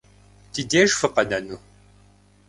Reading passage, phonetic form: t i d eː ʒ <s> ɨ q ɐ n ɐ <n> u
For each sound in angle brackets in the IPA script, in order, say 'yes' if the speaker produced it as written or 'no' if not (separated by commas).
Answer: no, yes